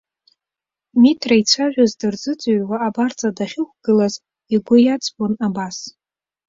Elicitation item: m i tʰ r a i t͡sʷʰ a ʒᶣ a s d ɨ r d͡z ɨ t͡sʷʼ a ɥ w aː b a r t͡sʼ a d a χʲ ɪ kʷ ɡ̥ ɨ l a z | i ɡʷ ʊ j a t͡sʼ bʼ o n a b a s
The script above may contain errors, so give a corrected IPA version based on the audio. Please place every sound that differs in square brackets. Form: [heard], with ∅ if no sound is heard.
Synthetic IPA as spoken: m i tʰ r a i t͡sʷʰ a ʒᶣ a [z] d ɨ r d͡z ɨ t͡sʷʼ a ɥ w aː b a r t͡sʼ a d a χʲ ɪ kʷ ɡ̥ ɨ l a z | i ɡʷ ʊ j a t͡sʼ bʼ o n a b a s